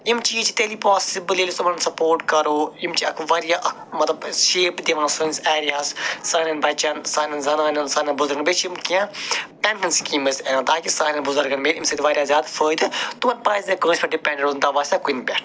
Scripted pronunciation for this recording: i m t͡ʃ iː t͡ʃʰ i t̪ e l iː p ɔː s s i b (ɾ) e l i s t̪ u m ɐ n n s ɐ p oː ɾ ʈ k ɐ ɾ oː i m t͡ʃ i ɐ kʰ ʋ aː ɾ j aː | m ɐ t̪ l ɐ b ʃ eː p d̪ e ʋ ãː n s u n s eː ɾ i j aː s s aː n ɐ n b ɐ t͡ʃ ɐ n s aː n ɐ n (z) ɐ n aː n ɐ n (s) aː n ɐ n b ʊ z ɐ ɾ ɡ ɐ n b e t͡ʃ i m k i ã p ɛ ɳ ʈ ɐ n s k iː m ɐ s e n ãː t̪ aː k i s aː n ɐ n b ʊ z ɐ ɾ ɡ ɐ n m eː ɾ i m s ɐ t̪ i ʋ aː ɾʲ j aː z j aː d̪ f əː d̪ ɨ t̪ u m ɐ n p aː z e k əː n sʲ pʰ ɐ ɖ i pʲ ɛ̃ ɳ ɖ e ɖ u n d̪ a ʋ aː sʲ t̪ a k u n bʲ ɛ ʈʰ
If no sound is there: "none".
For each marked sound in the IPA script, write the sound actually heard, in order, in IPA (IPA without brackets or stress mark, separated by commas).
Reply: l, z, s